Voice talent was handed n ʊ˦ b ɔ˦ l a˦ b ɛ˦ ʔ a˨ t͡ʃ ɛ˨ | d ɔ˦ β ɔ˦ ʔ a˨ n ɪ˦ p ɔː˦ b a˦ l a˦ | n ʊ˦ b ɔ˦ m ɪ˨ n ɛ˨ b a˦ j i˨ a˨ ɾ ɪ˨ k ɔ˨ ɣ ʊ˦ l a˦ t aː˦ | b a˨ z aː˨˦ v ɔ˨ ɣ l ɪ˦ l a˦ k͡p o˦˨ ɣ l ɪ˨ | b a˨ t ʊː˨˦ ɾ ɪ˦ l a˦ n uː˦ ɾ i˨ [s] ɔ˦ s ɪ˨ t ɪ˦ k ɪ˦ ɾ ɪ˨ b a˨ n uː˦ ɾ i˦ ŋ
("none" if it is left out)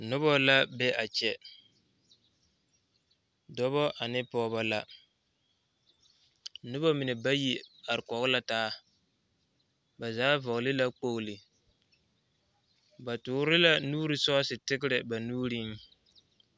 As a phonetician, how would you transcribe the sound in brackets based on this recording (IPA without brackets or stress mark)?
s